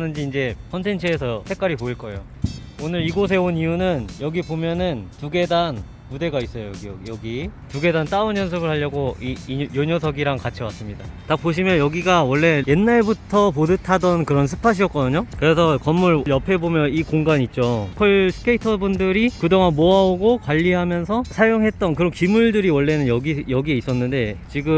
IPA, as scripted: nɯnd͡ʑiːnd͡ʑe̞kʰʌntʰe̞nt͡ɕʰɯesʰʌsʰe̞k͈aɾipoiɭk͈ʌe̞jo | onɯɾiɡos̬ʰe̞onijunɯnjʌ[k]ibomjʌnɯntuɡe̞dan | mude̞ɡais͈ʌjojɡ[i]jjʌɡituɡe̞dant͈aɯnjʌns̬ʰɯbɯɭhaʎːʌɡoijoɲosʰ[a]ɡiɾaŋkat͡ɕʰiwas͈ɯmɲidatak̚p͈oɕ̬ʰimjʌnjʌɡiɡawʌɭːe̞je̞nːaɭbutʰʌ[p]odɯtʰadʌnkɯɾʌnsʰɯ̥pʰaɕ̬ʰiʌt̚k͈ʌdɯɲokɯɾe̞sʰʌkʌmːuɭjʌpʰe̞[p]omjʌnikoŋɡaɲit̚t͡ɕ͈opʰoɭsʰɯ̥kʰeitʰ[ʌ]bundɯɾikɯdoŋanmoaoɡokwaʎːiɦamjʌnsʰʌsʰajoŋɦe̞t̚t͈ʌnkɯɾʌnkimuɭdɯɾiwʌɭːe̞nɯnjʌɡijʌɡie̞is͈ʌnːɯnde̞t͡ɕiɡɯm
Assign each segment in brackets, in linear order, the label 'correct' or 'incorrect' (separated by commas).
incorrect, correct, incorrect, correct, incorrect, correct